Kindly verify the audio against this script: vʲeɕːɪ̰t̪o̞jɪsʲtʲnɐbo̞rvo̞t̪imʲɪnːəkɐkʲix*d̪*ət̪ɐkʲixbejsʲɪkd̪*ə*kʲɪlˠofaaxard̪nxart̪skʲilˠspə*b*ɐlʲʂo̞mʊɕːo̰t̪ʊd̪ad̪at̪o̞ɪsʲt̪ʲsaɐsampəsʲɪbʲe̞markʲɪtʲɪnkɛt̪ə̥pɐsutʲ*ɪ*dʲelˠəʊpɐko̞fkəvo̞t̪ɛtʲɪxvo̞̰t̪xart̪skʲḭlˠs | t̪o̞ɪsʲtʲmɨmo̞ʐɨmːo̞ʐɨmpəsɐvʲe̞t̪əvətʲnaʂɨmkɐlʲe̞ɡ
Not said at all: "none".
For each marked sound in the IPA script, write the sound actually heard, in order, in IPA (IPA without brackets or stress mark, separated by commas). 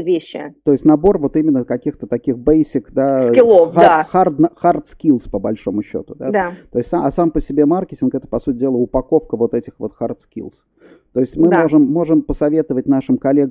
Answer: t̪, a, b, ɪ